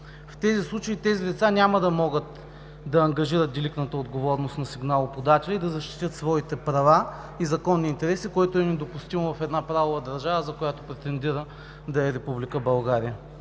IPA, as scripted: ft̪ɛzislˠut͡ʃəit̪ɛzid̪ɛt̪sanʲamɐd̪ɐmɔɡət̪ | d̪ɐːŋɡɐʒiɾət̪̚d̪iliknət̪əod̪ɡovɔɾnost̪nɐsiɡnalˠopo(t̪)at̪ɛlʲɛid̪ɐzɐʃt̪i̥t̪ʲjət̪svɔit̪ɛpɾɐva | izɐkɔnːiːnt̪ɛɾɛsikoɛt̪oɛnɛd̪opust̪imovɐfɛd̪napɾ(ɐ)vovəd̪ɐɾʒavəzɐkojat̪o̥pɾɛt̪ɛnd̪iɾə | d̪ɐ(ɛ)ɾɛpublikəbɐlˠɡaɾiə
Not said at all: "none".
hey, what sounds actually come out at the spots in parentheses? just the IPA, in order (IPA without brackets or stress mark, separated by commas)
d̪, a, ɛ